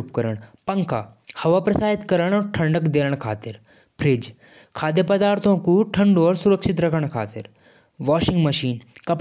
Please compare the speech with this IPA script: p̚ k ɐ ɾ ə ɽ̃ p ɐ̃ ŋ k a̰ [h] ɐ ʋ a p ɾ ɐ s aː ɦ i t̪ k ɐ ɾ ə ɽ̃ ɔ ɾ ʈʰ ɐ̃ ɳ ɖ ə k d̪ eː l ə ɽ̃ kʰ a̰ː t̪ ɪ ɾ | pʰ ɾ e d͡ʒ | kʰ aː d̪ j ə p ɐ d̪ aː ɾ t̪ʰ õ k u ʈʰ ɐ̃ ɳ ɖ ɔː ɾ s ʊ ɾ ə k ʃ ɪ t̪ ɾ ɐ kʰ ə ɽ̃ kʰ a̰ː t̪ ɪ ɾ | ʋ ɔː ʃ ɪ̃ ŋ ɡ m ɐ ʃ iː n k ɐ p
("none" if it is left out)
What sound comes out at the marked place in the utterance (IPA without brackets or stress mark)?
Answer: h